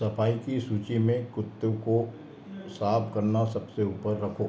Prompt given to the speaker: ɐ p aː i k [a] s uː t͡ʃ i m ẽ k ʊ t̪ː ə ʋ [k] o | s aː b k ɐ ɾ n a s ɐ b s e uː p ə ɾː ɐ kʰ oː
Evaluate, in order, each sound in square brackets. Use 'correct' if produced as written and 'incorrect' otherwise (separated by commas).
incorrect, correct